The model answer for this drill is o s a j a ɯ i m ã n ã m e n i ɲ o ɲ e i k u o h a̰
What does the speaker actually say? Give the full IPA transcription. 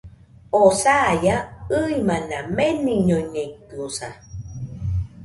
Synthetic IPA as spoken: o s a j a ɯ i m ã n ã m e n i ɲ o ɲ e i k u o s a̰